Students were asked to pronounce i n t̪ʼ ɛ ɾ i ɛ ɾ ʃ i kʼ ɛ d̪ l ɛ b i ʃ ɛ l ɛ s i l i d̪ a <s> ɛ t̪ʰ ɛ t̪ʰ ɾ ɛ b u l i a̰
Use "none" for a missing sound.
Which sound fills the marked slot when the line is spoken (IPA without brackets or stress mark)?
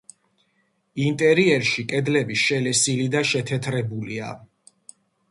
ʃ